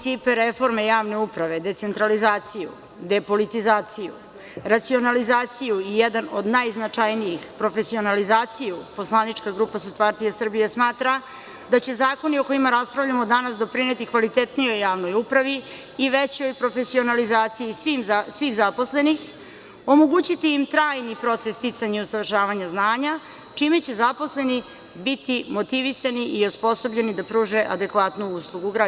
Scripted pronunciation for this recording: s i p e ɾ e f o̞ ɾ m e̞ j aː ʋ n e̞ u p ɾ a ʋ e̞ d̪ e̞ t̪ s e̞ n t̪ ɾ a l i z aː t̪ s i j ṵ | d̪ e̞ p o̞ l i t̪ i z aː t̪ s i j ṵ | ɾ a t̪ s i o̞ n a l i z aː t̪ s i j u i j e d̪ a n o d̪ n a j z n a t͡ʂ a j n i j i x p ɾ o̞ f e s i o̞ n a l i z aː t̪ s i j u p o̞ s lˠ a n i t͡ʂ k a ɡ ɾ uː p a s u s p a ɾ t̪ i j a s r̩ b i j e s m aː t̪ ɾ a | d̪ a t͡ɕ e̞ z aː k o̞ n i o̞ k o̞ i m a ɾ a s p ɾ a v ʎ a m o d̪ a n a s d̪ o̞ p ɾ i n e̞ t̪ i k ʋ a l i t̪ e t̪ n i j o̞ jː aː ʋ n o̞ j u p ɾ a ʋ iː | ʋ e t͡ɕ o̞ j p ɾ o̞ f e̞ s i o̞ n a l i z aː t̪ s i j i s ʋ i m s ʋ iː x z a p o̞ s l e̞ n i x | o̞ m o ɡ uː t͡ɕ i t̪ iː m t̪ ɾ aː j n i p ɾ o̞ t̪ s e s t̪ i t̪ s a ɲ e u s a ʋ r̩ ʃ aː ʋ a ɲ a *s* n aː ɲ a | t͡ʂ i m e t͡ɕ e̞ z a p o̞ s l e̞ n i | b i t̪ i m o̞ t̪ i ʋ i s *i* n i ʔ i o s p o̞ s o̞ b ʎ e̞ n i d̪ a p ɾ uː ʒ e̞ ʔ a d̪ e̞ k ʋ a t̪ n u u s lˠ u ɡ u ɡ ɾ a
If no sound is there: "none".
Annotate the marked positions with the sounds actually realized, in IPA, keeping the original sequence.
z, a

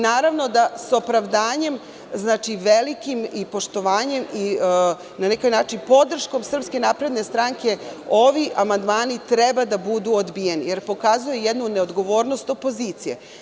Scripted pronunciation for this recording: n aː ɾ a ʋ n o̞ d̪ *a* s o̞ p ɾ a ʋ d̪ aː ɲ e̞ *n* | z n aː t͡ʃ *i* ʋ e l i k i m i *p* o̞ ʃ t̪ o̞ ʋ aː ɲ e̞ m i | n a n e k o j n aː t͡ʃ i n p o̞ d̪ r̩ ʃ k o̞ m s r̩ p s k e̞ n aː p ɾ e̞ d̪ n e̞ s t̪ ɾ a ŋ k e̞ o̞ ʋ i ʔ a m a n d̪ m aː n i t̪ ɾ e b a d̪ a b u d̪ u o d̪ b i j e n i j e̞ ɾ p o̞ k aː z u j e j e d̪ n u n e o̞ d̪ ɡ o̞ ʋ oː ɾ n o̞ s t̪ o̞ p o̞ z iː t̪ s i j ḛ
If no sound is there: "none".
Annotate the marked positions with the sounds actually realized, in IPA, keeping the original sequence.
a, m, i, p

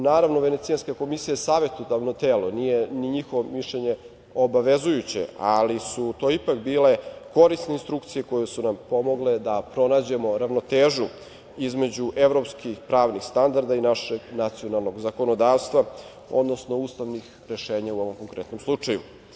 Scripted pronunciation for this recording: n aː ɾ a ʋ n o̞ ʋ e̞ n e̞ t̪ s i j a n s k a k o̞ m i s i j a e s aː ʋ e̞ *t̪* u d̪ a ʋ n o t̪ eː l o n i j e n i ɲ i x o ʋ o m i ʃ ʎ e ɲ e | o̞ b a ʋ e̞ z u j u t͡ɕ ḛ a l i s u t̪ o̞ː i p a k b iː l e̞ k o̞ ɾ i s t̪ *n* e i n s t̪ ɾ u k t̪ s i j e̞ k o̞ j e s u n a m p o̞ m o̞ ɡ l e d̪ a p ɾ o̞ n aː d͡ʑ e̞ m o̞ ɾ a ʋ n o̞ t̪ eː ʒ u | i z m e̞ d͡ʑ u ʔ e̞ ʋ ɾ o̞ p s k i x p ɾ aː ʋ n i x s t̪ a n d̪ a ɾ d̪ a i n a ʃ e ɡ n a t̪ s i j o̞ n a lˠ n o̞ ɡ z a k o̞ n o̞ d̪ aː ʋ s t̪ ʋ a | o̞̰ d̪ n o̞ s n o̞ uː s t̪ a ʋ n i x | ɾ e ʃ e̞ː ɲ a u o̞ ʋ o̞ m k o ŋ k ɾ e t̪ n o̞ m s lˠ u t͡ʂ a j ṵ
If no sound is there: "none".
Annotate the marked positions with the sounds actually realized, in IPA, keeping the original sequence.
t̪, n

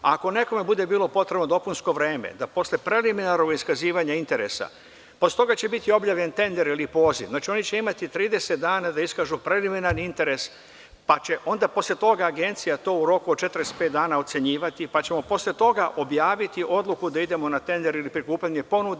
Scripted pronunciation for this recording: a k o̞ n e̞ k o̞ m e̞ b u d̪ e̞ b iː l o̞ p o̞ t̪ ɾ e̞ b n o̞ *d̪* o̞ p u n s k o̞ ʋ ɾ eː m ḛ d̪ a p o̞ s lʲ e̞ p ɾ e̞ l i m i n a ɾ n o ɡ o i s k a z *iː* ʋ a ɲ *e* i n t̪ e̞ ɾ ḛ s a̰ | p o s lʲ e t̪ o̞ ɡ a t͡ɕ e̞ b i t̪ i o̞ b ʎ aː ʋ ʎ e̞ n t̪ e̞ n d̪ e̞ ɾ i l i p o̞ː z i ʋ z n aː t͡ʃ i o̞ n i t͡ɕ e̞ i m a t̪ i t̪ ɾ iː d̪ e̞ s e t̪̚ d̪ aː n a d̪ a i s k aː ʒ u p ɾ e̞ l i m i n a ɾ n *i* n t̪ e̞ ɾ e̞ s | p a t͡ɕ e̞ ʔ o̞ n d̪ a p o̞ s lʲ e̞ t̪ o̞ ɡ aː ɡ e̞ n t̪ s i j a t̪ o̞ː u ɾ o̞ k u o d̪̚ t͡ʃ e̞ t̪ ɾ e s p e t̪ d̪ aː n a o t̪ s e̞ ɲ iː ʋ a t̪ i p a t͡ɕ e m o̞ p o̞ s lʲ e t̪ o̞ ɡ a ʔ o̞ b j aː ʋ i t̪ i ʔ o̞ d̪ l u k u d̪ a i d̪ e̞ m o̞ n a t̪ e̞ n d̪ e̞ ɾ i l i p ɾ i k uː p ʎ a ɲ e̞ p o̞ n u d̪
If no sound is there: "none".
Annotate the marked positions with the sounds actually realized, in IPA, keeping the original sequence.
d̪, iː, a, i

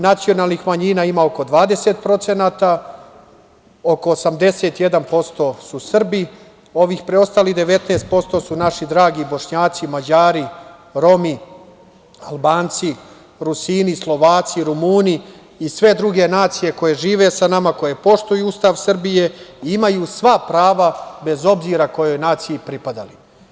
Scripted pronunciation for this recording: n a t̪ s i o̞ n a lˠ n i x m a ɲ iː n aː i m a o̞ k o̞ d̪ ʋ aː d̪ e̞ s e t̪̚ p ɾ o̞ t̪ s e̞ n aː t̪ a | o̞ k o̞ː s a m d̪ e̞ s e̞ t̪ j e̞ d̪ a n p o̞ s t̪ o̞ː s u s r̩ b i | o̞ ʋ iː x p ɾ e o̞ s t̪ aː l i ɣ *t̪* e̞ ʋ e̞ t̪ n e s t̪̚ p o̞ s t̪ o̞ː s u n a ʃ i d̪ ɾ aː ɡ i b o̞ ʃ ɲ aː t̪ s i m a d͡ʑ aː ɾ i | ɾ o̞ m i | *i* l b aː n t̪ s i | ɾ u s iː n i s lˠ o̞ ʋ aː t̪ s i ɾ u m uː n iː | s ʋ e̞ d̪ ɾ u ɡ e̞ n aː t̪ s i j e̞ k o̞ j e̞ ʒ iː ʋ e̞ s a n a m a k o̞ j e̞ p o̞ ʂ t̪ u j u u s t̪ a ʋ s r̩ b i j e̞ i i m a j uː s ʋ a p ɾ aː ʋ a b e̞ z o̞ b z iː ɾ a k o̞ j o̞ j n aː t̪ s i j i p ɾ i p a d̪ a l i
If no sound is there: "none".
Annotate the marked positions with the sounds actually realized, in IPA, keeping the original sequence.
d̪, a

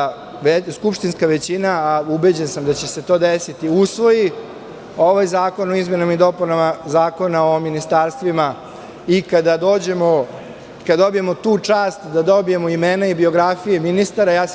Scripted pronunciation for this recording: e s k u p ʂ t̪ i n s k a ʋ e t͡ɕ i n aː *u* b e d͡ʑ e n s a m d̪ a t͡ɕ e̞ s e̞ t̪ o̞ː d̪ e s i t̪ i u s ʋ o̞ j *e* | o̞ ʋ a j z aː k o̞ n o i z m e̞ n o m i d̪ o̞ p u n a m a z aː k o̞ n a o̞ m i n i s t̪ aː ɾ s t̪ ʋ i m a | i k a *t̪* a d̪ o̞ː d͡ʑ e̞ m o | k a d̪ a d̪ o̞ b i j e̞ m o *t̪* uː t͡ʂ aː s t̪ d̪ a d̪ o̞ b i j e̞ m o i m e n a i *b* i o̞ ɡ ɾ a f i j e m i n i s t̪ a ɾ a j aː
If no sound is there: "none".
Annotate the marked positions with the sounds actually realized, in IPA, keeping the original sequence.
u, i, d̪, t̪, b

